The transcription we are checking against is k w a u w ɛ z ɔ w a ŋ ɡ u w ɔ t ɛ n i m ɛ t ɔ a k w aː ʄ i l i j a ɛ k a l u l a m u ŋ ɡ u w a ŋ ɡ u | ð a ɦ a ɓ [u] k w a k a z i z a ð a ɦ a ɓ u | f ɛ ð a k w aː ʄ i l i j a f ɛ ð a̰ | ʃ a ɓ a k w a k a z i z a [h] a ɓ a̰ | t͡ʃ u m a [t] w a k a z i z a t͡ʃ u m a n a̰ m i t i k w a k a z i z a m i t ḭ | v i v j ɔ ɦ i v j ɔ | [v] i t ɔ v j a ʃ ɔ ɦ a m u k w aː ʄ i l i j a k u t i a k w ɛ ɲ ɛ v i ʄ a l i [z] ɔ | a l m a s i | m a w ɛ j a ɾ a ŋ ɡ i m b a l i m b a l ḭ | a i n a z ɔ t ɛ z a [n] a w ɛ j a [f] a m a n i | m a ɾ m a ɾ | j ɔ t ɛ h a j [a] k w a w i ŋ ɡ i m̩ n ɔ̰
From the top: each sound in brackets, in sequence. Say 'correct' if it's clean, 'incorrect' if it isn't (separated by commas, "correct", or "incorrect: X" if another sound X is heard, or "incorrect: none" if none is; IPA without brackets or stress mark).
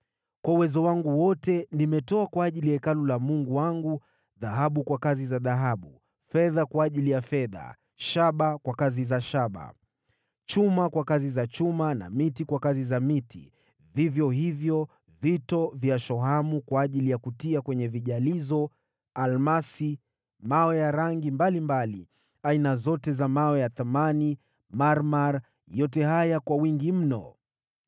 correct, incorrect: ʃ, incorrect: k, correct, correct, incorrect: m, incorrect: θ, correct